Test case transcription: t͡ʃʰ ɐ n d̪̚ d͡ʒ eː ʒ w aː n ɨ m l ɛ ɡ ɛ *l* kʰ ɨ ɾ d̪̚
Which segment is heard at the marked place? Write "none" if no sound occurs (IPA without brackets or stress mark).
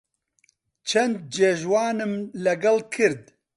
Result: l